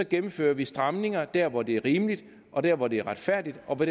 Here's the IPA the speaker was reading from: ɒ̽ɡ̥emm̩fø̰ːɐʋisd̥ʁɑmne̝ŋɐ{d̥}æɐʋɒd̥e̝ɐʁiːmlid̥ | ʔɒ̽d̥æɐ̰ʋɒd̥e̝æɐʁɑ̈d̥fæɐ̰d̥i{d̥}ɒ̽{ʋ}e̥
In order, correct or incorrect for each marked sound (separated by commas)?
correct, correct, correct